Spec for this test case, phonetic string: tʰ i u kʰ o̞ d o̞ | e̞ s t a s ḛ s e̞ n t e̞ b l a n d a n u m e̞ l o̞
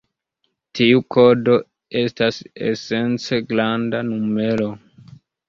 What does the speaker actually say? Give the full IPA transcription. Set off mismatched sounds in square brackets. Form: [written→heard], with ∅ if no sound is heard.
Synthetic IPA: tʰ i u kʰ o̞ d o̞ | e̞ s t a s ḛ s e̞ n [t→t͡s] e̞ [b→ɡ] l a n d a n u m e̞ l o̞